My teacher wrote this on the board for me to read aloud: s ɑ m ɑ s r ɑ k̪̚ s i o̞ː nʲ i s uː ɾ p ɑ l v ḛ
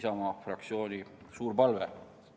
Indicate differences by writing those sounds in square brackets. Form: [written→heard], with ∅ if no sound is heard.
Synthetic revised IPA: s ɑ m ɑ [s→f] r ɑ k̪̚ s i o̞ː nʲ i s uː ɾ p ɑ l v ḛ